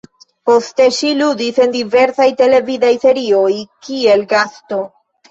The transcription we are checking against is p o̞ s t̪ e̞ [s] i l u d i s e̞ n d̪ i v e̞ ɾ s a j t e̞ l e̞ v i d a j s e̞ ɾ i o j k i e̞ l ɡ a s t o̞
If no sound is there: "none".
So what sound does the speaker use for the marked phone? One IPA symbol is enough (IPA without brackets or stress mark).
ʃ